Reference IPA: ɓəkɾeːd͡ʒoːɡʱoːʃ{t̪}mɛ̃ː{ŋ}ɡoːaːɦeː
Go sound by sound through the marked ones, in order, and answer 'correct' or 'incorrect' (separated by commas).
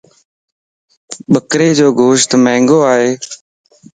correct, correct